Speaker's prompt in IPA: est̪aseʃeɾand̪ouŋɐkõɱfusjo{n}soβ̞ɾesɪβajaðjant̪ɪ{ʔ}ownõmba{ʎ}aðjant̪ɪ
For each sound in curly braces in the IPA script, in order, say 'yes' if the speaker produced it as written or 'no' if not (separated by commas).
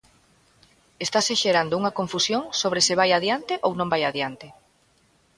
no, yes, no